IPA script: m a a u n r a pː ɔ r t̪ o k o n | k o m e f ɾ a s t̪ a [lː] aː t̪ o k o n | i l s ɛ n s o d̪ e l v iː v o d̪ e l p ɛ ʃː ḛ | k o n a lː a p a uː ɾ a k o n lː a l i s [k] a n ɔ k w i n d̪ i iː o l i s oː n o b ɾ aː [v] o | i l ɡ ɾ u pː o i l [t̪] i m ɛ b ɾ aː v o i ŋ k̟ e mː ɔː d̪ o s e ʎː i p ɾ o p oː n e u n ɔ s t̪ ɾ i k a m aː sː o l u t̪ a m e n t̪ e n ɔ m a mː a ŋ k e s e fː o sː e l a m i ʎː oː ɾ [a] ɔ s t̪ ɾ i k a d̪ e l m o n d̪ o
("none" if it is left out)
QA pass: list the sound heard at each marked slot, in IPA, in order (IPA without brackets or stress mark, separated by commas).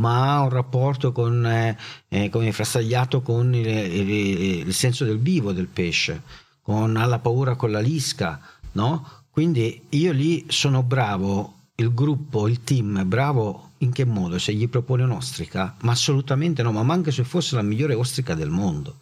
ʎː, k, v, t̪, e